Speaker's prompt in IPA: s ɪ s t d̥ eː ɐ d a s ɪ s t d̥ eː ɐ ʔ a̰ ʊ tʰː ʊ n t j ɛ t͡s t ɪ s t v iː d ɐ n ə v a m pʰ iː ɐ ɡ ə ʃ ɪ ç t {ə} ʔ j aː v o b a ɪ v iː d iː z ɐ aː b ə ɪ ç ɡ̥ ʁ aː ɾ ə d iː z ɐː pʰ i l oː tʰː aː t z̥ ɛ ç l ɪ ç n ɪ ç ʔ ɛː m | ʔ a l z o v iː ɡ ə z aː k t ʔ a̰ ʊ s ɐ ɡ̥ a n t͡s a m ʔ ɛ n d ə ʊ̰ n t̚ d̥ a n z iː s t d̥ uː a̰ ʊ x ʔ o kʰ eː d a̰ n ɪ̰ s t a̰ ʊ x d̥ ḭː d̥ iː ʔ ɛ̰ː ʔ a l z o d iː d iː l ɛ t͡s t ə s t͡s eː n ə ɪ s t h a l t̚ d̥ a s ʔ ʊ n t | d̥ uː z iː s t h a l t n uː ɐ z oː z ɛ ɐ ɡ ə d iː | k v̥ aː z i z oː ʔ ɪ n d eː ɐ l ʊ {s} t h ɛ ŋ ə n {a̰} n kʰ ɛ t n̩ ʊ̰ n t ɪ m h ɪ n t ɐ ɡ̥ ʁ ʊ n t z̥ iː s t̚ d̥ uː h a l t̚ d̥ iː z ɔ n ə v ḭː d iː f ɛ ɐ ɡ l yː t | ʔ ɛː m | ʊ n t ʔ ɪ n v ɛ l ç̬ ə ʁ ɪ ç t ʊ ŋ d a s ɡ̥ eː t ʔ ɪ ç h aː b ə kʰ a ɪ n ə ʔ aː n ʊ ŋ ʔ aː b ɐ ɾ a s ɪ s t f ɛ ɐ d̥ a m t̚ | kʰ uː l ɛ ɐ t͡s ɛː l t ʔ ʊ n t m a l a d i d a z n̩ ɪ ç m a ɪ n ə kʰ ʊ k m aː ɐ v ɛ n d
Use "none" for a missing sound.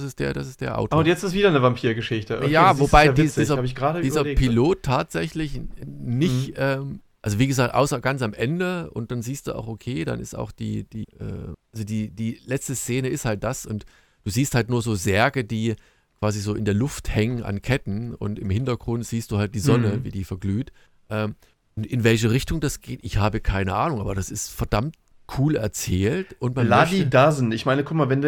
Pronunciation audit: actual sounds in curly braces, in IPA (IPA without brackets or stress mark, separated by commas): ə, f, a̰